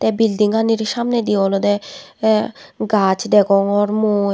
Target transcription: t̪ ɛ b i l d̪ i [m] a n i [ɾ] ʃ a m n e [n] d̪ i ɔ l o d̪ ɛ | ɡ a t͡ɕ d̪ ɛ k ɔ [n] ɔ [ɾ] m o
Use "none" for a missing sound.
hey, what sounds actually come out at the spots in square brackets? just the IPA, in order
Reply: ŋ, ɾ, none, ŋ, ɾ

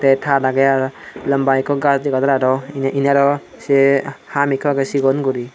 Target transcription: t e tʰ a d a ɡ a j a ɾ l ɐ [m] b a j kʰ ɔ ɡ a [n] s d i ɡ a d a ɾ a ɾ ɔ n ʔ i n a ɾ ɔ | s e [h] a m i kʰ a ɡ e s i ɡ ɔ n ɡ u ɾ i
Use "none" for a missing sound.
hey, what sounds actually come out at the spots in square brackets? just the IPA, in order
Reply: m, none, h

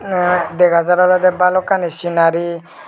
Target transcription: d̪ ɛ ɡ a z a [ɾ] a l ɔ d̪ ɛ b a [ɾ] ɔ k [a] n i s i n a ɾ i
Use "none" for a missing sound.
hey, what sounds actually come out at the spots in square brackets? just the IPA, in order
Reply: ɾ, l, a

